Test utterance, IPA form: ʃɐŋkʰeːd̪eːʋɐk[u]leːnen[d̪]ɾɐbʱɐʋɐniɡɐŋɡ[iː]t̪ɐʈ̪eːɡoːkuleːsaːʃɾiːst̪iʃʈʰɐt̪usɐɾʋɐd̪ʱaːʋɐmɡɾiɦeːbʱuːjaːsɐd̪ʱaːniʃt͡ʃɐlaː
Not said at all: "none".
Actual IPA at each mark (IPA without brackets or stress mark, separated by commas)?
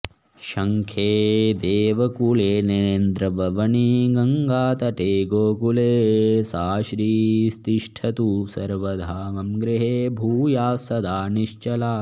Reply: u, d̪, aː